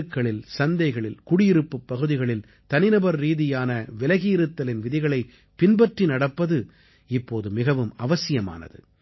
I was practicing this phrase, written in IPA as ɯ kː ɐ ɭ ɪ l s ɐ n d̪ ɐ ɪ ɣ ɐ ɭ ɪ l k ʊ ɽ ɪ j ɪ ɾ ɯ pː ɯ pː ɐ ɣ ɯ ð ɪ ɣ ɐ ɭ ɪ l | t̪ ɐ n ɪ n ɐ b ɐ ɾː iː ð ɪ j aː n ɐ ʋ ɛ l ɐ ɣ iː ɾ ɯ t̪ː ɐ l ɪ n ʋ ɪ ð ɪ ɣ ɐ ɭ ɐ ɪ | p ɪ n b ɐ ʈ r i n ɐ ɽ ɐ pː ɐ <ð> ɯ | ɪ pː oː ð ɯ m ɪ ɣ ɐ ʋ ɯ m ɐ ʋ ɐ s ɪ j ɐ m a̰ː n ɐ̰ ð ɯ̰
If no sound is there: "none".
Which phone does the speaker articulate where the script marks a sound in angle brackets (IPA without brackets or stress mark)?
ð